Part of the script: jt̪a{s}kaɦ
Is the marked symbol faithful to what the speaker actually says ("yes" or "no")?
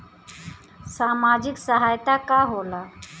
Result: no